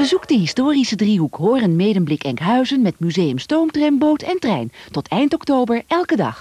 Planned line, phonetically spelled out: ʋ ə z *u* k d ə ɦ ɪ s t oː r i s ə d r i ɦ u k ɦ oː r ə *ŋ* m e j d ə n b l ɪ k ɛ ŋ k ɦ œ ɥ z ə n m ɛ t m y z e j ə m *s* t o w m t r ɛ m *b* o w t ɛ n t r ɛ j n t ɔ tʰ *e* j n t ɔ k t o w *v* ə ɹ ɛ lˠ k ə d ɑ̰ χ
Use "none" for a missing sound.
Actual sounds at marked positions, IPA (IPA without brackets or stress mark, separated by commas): u, n, s, b, ɛ, b